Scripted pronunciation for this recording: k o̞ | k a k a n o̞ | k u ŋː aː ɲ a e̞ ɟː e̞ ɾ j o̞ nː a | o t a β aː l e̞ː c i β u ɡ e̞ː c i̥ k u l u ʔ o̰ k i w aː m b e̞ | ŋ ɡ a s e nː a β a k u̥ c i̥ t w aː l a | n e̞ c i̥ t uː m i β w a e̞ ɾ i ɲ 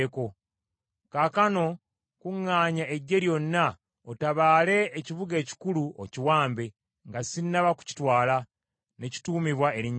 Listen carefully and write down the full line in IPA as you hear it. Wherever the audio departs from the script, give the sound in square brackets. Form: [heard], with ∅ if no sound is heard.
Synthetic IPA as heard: k o̞ | k a k a n o̞ | k u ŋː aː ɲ a e̞ ɟː e̞ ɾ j o̞ nː a | o t a β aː l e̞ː c i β u ɡ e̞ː c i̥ k u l u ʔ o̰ [c] i w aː m b e̞ | ŋ ɡ a s [i] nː a β a k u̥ c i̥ t w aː l a | n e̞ c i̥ t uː m i β w a e̞ ɾ i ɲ